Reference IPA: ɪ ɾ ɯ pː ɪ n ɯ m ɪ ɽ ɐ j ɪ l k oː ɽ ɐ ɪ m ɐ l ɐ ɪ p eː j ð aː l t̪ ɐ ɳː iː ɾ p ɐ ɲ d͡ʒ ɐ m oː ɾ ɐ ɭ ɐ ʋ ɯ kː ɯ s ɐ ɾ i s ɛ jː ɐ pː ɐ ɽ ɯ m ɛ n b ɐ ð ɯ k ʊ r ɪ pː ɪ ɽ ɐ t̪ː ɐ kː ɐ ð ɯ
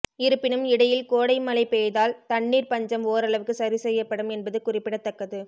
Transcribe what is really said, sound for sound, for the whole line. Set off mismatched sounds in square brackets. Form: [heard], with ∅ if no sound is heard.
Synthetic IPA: ɪ ɾ ɯ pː ɪ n ɯ m ɪ ɽ ɐ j ɪ l k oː ɽ ɐ ɪ m ɐ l ɐ ɪ p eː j ð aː l t̪ ɐ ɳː iː ɾ p ɐ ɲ d͡ʒ ɐ m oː ɾ ɐ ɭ ɐ ʋ ɯ kː ɯ s ɐ ɾ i s ɛ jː ɐ pː ɐ ɽ ɯ m ɛ n b ɐ ð ɯ k ʊ r ɪ pː ɪ ɽ ɐ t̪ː ɐ kː ɐ ð ɯ